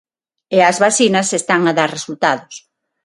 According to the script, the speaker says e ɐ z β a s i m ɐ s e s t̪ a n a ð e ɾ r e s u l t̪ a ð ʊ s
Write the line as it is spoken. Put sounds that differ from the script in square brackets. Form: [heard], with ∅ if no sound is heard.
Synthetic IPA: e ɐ z β a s i [n] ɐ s e s t̪ a [ŋ] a ð [a] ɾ r e s u l t̪ a ð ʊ s

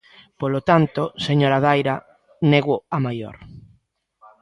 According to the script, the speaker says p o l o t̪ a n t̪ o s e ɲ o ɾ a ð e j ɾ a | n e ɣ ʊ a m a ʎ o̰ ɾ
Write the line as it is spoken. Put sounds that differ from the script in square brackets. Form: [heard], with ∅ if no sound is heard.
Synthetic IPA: p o l o t̪ a n t̪ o s e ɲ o ɾ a ð [a] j ɾ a | n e ɣ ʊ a m a [j] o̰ ɾ

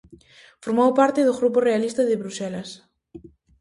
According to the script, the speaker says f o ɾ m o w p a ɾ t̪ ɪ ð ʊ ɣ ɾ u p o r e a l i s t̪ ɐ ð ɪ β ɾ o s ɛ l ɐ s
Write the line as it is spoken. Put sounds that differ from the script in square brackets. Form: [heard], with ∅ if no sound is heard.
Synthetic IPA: f o ɾ m o w p a ɾ t̪ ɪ ð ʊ ɣ ɾ u p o r e a l i s t̪ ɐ ð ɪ β ɾ [u] s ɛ l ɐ s

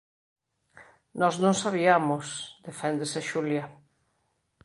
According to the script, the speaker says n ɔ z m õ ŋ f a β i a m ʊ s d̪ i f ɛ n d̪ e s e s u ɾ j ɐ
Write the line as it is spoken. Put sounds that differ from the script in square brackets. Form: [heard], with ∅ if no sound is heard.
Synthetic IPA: n ɔ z [n] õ ŋ [s] a β i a m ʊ s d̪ [e] f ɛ n d̪ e s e [ʃ] u [l] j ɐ

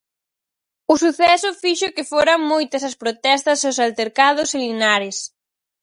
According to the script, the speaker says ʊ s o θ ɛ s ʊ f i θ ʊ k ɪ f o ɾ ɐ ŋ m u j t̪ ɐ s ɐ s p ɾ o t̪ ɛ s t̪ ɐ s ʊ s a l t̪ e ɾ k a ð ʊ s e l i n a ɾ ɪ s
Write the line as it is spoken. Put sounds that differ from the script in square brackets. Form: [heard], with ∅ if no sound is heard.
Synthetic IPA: ʊ s [u] θ ɛ s ʊ f i [ʃ] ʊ k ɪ f o ɾ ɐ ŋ m [o] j t̪ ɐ s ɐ s p ɾ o t̪ ɛ s t̪ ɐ s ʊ s a l t̪ e ɾ k a ð ʊ s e l i n a ɾ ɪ s

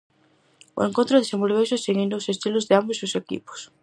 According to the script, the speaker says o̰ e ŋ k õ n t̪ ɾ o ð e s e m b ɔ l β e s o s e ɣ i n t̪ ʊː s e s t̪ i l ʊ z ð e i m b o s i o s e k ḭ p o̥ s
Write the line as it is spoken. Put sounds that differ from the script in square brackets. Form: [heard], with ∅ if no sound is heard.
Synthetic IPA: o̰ e ŋ k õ n t̪ ɾ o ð e s e m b [o] l β e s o s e ɣ i n [d̪] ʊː s e s t̪ i l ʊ z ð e [a] m b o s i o s e k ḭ p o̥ s

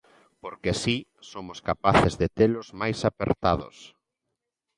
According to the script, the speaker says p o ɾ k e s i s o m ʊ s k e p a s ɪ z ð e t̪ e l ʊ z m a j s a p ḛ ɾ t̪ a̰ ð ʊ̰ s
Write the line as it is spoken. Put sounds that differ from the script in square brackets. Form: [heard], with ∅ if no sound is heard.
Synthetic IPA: p o ɾ k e s i s o m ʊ s k [a] p a [θ] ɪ z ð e t̪ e l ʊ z m a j s a p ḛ ɾ t̪ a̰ ð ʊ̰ s

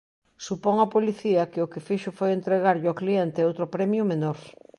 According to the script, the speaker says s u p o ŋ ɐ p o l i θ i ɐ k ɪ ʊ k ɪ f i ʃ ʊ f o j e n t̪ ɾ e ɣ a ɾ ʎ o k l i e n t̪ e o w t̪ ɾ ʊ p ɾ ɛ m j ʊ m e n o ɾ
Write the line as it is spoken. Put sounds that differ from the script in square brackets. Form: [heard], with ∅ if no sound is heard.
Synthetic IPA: s u p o ŋ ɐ p o l i θ i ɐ k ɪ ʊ k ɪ f i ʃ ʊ f o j e n t̪ ɾ e ɣ a ɾ ʎ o k l i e n t̪ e o w t̪ ɾ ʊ p ɾ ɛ m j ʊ m e n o ɾ

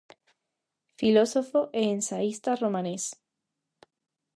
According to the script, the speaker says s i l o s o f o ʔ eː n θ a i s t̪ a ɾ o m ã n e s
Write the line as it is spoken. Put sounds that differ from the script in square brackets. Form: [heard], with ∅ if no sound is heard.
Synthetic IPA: [f] i l o s o f o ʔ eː n [s] a i s t̪ a [r] o m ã n e s

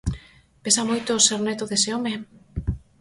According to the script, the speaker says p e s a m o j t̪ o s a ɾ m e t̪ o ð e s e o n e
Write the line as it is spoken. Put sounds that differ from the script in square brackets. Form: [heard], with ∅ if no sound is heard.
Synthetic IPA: p e s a m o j t̪ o s [e] ɾ [n] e t̪ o ð e s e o [m] e

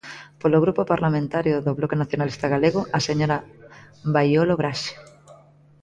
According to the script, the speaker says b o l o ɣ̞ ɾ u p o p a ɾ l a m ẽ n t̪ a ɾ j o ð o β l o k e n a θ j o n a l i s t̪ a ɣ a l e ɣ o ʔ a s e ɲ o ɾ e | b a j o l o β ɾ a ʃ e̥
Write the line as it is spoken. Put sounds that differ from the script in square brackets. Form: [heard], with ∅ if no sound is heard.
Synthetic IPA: [p] o l o ɣ̞ ɾ u p o p a ɾ l a m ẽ n t̪ a ɾ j o ð o β l o k e n a θ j o n a l i s t̪ a ɣ a l e ɣ o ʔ a s e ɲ o ɾ [a] | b a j o l o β ɾ a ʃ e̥

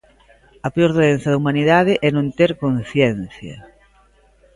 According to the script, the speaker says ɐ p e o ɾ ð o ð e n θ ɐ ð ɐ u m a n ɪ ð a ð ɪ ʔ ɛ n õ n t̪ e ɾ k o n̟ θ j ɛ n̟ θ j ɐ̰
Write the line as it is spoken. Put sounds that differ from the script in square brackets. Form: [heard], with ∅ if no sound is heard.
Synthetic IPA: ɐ p e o ɾ ð o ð e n θ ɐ ð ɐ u m a n [i] ð a ð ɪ ʔ ɛ n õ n t̪ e ɾ k o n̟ θ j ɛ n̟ θ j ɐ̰

